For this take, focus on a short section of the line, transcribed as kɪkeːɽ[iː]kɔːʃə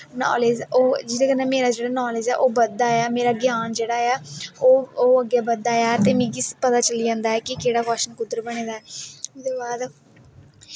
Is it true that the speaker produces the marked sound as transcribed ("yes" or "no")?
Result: no